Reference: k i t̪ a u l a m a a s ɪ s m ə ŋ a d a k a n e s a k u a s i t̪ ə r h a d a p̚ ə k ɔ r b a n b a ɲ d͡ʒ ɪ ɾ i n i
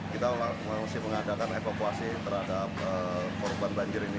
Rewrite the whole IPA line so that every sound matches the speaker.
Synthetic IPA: k i t̪ a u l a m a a s ɪ h m ə ŋ a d a k a n e f a k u a s i t̪ ə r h a d a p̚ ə k ɔ r b a n b a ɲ d͡ʒ ɪ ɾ i n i